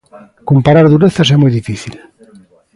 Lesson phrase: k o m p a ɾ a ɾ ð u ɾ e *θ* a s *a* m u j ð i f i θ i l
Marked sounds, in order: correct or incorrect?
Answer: correct, incorrect

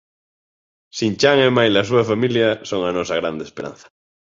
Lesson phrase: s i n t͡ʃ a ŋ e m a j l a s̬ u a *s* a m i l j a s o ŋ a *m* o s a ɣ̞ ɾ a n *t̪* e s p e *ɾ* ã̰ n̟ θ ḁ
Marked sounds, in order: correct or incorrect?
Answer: incorrect, incorrect, incorrect, correct

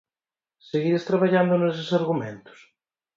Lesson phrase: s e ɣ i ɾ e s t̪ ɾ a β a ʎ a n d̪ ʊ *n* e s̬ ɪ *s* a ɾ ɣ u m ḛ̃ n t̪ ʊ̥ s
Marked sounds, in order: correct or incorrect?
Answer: correct, correct

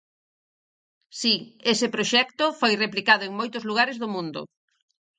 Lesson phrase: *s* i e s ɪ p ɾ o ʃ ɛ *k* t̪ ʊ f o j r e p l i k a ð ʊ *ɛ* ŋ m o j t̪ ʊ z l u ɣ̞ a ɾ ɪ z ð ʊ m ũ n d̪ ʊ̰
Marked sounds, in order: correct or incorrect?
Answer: correct, correct, incorrect

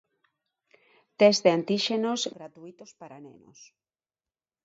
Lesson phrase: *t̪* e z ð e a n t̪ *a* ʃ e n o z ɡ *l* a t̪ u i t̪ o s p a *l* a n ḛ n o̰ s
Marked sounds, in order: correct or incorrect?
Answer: correct, incorrect, incorrect, incorrect

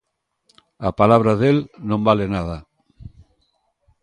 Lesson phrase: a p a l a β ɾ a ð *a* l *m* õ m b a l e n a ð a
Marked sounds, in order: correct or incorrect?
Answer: incorrect, incorrect

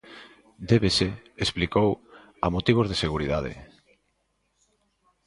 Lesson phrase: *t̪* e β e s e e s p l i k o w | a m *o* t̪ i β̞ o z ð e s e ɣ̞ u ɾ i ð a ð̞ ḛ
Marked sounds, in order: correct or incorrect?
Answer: incorrect, correct

